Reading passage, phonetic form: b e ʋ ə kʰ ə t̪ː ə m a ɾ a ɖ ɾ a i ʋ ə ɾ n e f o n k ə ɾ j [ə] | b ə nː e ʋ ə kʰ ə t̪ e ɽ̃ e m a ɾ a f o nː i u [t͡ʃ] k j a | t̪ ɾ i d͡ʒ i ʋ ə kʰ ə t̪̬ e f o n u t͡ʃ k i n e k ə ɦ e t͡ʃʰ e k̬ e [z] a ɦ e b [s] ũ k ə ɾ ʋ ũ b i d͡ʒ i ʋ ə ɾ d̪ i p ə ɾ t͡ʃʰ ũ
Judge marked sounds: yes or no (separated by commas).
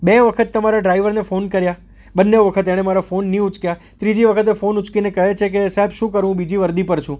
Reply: no, yes, no, no